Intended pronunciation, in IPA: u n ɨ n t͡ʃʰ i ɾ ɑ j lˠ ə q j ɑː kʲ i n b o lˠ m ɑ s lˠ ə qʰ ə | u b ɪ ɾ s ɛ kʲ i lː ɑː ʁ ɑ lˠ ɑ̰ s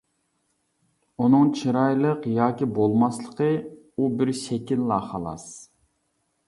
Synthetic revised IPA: u n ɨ ŋ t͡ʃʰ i ɾ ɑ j lˠ ə q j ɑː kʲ i b o lˠ m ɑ s lˠ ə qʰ ə | u b ɪ ɾ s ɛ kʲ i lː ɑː χ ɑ lˠ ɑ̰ s